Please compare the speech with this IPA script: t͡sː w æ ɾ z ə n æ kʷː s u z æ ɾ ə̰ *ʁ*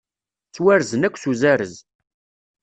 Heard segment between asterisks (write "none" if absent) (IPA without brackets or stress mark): z